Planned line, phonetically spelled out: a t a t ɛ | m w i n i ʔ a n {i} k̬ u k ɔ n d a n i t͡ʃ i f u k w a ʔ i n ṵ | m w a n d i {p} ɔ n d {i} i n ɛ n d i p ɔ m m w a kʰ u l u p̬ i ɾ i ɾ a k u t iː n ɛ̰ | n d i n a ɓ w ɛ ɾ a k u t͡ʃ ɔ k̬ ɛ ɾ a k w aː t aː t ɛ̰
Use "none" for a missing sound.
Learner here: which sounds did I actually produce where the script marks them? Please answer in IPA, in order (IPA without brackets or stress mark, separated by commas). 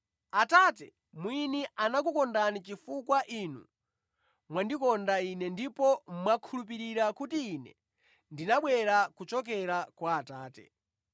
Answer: a, k, a